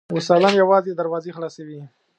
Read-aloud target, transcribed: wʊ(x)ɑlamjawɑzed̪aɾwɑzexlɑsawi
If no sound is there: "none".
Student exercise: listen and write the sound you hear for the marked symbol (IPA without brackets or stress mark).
s